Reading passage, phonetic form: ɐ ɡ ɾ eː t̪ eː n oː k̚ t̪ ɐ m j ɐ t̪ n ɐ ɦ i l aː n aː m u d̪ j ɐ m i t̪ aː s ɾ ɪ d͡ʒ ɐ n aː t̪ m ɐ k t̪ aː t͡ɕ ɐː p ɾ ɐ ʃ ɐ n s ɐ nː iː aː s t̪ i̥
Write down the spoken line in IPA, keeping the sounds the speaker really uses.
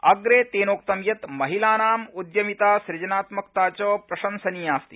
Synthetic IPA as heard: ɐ ɡ ɾ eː t̪ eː n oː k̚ t̪ ɐ m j ɐ t̪ m ɐ ɦ i l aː n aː m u d̪ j ɐ m i t̪ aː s ɾ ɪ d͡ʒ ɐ n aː t̪ m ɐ k t̪ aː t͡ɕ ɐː p ɾ ɐ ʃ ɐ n s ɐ n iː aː s t̪ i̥